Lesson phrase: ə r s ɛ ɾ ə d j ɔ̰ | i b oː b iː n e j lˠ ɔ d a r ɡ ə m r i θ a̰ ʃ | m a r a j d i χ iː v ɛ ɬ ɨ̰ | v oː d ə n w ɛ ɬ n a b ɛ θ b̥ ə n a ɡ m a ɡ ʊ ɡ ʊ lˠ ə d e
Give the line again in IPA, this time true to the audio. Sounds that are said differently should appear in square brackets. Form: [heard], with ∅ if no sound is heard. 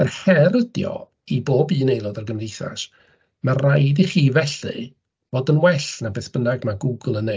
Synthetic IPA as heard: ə r [h] ɛ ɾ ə d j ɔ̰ | i b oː b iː n e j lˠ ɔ d a r ɡ ə m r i θ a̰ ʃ | m a r a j d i χ iː v ɛ ɬ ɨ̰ | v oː d ə n w ɛ ɬ n a b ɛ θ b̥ ə n a ɡ m a ɡ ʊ ɡ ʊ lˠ ə [n] e